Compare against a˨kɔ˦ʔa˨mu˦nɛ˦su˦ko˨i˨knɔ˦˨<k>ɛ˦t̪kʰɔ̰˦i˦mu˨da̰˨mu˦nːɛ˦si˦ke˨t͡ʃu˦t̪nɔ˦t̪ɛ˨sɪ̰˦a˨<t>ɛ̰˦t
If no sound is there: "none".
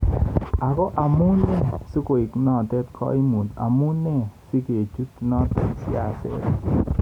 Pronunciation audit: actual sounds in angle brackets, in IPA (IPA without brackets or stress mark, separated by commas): t, s